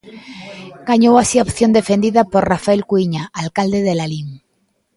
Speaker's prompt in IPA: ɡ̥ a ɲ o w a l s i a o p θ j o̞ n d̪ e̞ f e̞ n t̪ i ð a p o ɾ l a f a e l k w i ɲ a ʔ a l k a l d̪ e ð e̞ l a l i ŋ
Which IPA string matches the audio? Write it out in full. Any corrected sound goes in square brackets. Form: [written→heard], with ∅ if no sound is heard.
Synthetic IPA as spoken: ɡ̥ a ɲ o w a [l→∅] s i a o p θ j o̞ n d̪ e̞ f e̞ n [t̪→d̪] i ð a p o ɾ [l→r] a f a e l k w i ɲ a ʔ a l k a l d̪ e ð e̞ l a l i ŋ